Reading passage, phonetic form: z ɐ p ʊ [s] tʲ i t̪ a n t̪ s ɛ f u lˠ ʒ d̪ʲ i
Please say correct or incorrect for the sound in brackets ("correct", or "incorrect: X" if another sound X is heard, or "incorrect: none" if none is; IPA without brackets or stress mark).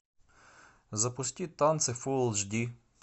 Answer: correct